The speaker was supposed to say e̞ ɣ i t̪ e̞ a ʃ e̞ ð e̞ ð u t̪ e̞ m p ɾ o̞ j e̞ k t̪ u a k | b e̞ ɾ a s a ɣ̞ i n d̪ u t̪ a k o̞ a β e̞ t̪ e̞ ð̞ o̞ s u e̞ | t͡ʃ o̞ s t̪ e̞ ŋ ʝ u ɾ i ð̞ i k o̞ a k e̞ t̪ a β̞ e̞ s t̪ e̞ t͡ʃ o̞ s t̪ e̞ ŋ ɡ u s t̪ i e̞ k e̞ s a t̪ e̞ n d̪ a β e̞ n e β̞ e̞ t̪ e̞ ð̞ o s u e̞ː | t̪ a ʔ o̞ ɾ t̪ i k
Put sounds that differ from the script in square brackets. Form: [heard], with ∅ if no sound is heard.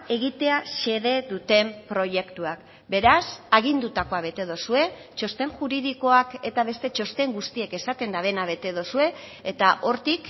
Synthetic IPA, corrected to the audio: e̞ ɣ i t̪ e̞ a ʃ e̞ ð e̞ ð u t̪ e̞ m p ɾ o̞ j e̞ k t̪ u a k | b e̞ ɾ a s a ɣ̞ i n d̪ u t̪ a k o̞ a β e̞ t̪ e̞ ð̞ o̞ s u e̞ | t͡ʃ o̞ s t̪ e̞ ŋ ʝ u ɾ i ð̞ i k o̞ a k e̞ t̪ a β̞ e̞ s t̪ e̞ t͡ʃ o̞ s t̪ e̞ ŋ ɡ u s t̪ i e̞ k e̞ s a t̪ e̞ n d̪ a β e̞ n [a] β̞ e̞ t̪ e̞ ð̞ o s u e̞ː | t̪ a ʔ o̞ ɾ t̪ i k